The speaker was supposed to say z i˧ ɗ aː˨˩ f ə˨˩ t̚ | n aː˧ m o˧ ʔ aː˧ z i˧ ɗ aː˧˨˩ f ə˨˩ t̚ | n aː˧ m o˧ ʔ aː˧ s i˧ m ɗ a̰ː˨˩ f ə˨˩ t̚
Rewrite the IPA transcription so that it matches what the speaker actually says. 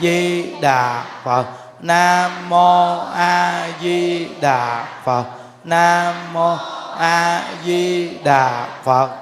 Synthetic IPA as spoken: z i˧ ɗ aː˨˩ f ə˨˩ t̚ | n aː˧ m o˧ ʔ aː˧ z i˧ ɗ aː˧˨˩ f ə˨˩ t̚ | n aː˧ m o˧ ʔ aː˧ z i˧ ɗ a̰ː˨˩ f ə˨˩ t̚